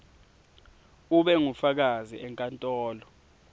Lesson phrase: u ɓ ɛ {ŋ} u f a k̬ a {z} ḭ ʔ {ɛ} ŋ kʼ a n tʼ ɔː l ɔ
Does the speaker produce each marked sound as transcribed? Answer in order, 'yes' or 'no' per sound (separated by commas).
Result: yes, yes, yes